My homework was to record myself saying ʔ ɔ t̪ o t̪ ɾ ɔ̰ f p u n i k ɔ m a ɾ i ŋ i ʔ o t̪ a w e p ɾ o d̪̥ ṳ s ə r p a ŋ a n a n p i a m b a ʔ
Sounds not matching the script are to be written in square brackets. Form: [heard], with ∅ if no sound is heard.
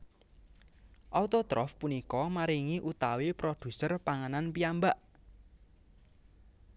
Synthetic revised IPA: ʔ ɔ t̪ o t̪ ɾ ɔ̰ f p u n i k ɔ m a ɾ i ŋ i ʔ [u] t̪ a w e p ɾ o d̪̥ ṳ s ə r p a ŋ a n a n p i a m b a ʔ